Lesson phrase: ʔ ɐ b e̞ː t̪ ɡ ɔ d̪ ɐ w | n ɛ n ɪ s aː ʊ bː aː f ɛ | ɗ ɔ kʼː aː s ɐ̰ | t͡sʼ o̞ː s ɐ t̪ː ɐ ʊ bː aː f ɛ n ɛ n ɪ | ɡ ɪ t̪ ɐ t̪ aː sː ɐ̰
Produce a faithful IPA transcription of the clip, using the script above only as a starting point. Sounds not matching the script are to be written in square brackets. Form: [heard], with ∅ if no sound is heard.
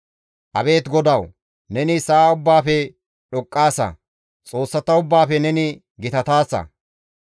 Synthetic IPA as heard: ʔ ɐ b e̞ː t̪ ɡ ɔ d̪ ɐ w | n ɛ n ɪ s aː ʊ bː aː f ɛ | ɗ ɔ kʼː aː s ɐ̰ | t͡sʼ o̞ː [sː] ɐ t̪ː ɐ ʊ bː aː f ɛ n ɛ n ɪ | ɡ ɪ t̪ ɐ t̪ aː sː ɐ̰